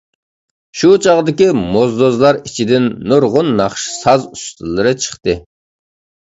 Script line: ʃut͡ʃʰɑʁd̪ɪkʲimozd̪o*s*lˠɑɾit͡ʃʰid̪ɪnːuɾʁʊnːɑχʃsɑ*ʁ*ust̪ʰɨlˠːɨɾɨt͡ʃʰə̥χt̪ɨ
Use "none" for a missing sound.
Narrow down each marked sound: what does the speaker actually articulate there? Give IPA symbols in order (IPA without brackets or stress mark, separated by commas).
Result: z, z